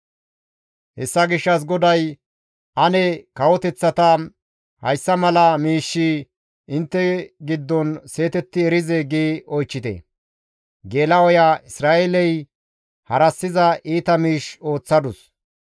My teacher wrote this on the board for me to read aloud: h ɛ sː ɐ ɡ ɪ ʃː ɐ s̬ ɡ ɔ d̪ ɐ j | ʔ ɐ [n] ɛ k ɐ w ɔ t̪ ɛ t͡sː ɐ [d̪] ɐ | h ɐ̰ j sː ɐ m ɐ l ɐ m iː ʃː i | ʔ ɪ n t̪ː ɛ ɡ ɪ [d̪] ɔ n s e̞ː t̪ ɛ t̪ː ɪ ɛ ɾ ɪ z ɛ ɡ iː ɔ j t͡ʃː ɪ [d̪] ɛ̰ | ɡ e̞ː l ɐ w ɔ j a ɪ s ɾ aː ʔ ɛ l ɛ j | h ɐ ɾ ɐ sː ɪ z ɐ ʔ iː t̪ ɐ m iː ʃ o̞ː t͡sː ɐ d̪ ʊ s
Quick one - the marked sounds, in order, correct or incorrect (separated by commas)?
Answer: correct, incorrect, incorrect, incorrect